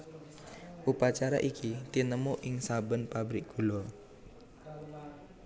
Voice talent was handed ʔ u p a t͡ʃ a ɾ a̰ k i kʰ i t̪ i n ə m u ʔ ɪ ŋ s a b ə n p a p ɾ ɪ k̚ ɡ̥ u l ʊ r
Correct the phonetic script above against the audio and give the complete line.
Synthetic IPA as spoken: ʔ u p a t͡ʃ a ɾ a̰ ʔ i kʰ i t̪ i n ə m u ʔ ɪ ŋ s a b ə n p a b ɾ ɪ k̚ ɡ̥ u l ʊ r